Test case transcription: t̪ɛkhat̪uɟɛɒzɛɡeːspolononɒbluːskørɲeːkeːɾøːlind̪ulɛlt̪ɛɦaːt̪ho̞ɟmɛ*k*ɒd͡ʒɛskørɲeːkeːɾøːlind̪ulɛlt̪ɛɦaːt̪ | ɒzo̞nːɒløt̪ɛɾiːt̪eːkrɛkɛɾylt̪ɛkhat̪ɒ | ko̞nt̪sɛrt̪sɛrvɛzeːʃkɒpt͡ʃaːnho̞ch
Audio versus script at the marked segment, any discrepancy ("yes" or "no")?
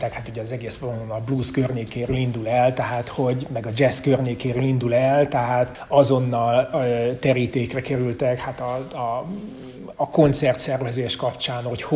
yes